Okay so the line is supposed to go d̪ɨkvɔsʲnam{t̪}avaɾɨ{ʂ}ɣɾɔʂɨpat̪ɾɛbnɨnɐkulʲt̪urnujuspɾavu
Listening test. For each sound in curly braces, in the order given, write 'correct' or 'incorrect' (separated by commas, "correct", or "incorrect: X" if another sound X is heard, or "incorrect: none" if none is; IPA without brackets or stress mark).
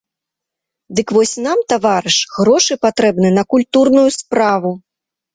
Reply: correct, correct